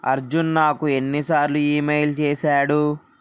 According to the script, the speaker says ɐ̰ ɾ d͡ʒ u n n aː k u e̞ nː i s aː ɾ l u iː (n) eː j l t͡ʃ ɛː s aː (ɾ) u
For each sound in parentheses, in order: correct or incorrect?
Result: incorrect, incorrect

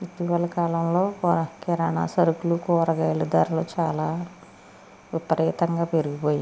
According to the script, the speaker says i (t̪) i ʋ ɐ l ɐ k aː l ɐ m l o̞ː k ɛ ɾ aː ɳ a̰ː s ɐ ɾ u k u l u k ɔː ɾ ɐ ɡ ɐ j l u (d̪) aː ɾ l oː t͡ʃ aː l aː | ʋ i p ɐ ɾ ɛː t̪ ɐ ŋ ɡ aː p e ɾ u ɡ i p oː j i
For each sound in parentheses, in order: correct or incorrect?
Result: correct, correct

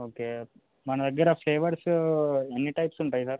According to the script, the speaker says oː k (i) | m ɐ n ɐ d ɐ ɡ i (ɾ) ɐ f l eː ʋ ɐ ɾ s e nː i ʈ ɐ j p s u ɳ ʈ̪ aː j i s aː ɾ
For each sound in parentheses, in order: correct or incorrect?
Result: incorrect, correct

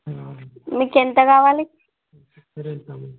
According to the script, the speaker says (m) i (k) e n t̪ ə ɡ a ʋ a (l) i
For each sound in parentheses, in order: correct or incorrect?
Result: correct, correct, correct

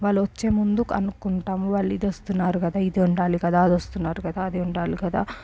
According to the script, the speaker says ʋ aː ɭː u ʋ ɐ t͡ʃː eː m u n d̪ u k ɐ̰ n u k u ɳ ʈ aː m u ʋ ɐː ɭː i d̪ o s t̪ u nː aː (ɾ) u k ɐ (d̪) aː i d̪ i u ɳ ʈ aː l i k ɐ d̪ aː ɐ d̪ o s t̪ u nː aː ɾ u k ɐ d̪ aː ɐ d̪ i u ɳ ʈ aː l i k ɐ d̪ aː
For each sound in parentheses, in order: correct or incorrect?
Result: correct, correct

